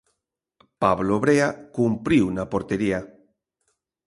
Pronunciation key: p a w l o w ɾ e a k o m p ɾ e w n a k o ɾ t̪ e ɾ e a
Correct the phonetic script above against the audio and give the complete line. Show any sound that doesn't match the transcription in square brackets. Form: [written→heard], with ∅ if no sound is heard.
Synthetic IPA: p a [w→β] l o [w→β] ɾ e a k [o→u] m p ɾ [e→i] w n a [k→p] o ɾ t̪ e ɾ [e→i] a